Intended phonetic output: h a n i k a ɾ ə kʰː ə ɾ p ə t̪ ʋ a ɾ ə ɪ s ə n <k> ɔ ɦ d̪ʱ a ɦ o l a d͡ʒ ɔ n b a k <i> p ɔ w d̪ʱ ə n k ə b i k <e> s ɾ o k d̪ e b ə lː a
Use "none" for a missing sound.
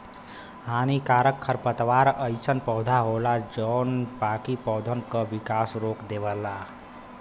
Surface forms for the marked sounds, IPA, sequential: p, i, a

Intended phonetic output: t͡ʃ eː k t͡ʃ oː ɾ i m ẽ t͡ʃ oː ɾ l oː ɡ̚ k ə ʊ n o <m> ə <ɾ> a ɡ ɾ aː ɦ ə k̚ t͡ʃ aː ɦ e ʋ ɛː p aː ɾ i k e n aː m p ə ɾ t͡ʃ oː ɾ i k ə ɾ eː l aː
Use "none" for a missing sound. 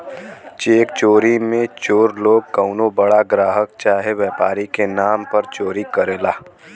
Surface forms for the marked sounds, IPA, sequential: b, ɽ

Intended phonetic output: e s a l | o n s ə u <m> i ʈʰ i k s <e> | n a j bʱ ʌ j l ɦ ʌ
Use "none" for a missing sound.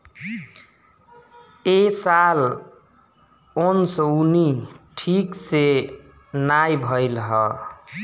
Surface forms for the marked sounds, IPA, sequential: n, e

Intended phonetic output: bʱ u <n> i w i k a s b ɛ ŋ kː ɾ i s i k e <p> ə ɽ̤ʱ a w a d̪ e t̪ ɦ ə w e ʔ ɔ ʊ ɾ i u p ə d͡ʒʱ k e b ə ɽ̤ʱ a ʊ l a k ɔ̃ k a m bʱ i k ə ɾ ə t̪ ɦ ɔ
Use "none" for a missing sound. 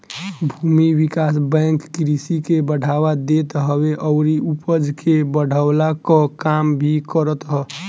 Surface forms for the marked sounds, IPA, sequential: m, b

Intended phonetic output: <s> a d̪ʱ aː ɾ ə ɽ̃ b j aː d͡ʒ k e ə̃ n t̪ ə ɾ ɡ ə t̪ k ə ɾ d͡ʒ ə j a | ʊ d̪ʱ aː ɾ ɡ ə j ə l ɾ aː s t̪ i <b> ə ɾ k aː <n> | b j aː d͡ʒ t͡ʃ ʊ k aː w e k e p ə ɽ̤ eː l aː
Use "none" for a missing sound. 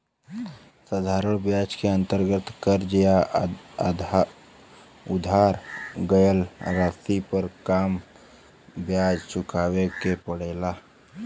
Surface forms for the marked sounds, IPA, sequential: s, p, m

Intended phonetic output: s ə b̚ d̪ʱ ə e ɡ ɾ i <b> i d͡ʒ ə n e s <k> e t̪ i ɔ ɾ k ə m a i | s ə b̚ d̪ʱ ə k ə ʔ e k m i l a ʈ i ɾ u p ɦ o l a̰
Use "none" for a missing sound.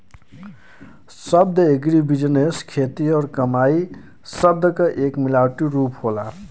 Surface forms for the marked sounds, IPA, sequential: b, kʰ

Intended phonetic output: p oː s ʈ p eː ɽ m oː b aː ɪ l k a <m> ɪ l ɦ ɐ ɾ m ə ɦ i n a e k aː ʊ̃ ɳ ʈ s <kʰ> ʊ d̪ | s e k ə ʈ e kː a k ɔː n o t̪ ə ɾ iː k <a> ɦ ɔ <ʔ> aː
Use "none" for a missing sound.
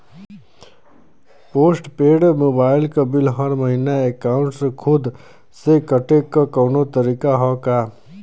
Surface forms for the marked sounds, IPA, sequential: b, kʰ, a, k

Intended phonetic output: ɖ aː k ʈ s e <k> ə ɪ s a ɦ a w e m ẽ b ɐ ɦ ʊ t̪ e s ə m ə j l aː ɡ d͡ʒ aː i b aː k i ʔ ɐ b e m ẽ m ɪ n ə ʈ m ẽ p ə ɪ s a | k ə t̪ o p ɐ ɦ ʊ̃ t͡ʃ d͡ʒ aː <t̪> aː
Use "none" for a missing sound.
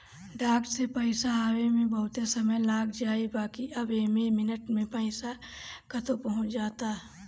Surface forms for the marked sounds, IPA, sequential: p, t̪

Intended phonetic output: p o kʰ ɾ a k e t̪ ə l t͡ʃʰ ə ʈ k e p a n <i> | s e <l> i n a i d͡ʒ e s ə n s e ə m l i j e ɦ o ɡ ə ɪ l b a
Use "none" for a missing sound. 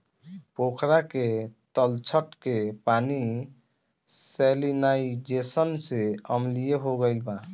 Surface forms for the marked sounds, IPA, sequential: i, l

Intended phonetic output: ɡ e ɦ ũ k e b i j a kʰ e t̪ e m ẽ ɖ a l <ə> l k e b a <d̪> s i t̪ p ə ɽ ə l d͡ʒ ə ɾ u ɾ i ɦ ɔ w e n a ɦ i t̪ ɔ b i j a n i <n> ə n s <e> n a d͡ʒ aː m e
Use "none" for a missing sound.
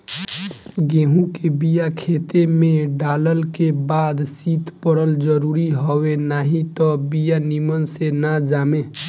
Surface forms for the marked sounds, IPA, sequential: ə, d̪, m, e

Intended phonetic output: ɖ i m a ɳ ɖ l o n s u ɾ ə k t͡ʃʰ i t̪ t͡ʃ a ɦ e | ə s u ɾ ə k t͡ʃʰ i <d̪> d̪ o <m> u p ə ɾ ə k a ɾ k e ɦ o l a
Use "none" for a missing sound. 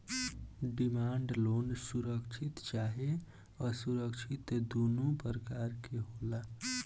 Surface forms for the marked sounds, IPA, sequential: t̪, n

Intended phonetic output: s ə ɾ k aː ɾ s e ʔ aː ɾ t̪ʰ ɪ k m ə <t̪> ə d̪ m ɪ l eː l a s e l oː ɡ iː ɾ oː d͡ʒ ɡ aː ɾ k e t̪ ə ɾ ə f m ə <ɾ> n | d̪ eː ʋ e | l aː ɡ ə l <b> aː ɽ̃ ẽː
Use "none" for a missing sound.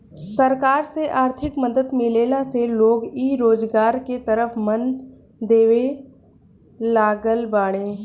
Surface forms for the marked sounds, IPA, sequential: d̪, none, b

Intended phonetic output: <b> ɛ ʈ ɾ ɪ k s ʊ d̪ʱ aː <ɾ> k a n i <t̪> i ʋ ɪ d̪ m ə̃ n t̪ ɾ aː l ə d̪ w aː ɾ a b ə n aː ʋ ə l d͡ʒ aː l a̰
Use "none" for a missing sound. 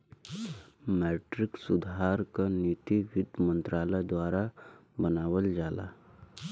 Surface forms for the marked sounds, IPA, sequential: m, ɾ, t̪

